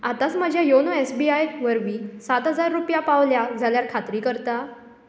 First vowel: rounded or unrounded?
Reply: unrounded